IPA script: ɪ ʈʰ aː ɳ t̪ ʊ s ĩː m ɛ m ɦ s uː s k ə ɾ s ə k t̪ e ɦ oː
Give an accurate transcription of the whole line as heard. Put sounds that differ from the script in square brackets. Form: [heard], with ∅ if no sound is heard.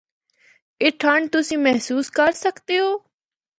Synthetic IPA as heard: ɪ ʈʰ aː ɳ t̪ ʊ s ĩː m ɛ [∅] ɦ s uː s k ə ɾ s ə k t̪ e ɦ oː